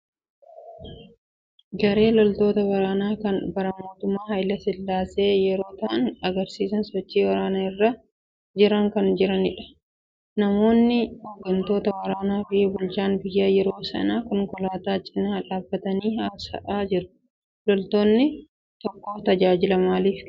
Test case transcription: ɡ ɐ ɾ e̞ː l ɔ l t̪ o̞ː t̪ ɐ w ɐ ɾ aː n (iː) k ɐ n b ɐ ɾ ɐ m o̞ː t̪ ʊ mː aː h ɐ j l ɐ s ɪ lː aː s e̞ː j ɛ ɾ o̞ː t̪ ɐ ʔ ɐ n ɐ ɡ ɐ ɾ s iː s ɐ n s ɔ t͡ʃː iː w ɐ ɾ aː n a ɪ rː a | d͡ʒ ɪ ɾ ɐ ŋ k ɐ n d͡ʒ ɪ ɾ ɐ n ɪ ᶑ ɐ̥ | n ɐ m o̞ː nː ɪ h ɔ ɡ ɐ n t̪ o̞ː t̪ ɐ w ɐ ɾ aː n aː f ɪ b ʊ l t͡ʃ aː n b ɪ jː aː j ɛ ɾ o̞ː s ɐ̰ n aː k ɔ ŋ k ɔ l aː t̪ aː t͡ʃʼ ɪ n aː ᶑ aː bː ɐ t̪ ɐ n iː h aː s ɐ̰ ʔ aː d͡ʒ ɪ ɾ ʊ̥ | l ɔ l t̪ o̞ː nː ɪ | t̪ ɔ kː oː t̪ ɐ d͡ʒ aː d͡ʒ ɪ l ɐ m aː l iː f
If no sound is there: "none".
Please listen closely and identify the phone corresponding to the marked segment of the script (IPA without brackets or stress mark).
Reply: aː